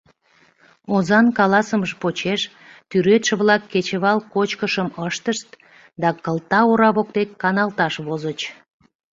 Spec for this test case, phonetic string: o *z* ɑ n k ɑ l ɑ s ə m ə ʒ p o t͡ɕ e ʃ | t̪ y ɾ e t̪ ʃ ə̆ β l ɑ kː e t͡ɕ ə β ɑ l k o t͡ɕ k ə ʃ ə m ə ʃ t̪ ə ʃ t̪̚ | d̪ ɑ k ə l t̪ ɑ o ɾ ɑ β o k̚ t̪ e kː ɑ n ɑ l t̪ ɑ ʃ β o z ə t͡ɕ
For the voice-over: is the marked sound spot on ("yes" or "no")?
yes